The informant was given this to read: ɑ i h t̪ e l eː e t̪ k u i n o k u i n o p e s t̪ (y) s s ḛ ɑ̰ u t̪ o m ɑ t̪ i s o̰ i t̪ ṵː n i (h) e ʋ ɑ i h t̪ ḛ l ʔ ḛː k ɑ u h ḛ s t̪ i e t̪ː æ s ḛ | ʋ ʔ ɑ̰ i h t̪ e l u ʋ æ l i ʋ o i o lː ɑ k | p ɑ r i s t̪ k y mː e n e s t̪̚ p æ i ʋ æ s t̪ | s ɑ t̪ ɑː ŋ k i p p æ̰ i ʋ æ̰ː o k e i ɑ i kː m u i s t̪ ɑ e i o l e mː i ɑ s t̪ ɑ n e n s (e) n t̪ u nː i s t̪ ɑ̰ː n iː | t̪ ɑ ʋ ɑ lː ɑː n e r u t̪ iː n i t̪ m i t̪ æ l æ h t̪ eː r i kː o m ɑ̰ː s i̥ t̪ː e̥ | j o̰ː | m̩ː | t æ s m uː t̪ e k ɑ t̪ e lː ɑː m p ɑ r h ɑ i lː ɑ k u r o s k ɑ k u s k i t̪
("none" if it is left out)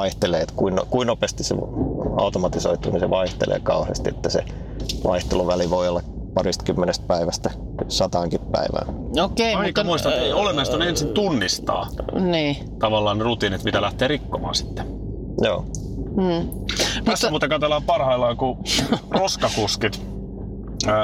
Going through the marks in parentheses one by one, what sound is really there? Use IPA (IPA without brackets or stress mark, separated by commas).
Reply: i, s, i